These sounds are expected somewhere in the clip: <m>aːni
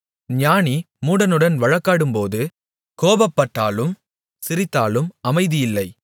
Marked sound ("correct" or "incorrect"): incorrect